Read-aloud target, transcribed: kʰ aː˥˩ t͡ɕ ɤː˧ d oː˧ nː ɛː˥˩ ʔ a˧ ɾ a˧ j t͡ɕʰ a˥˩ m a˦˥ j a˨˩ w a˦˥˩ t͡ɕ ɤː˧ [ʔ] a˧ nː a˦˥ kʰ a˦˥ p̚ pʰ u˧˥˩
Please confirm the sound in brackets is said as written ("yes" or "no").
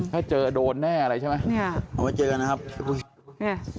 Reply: no